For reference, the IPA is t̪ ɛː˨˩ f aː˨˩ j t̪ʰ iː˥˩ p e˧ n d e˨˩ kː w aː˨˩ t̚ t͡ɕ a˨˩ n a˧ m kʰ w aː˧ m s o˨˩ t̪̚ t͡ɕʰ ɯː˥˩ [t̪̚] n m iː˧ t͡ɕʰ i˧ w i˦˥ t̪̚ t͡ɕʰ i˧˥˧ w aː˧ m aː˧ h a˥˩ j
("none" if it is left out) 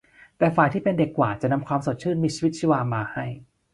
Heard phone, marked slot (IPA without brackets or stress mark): none